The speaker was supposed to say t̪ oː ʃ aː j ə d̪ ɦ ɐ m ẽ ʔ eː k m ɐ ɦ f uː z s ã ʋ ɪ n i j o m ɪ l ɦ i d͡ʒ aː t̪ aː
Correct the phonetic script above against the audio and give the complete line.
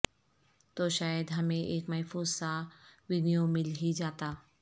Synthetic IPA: t̪ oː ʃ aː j ə d̪ ɦ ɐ m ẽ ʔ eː k m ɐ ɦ f uː z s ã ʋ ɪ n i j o m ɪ l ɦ i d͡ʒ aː t̪ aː